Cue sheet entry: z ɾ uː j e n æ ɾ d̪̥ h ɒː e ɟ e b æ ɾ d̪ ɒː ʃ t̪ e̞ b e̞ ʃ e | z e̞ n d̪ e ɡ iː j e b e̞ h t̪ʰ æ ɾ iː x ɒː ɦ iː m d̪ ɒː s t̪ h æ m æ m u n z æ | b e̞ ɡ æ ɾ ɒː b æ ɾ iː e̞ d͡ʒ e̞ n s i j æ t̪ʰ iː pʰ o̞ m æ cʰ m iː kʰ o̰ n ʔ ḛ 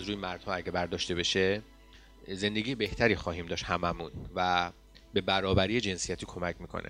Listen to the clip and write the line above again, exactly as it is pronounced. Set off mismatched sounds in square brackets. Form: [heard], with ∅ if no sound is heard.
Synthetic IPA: z ɾ uː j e [m] æ ɾ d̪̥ h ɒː [æ] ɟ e b æ ɾ d̪ ɒː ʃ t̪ e̞ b e̞ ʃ e | z e̞ n d̪ e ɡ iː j e b e̞ h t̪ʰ æ ɾ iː x ɒː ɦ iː m d̪ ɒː [ʃ] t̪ h æ m æ m u n [v] æ | b e̞ [b] æ ɾ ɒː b æ ɾ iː e̞ d͡ʒ e̞ n s i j æ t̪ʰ iː [kʰ] o̞ m æ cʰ m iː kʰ o̰ n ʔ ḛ